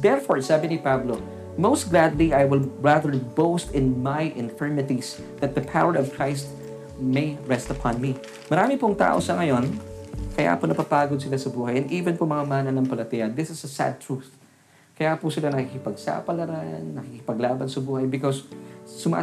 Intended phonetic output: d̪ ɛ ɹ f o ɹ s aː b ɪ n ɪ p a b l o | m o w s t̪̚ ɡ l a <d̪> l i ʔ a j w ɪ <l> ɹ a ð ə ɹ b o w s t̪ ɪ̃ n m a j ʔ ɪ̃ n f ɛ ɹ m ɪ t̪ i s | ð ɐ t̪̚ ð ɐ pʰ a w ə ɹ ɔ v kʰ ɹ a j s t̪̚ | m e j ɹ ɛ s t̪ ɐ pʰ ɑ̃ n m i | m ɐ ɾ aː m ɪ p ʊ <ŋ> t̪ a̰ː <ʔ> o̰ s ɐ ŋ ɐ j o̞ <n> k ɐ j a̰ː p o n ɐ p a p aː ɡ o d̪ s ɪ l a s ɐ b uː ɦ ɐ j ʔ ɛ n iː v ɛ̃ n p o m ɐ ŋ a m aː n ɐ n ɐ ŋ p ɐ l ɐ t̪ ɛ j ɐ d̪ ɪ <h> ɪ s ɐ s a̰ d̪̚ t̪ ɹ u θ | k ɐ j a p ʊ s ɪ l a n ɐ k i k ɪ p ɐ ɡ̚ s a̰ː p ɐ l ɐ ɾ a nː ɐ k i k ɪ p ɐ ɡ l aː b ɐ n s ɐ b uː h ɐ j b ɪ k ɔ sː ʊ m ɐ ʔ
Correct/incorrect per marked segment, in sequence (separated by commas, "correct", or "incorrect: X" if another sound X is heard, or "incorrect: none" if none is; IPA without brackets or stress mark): correct, correct, correct, correct, correct, incorrect: s